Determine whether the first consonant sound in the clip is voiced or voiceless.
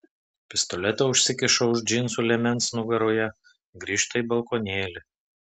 voiceless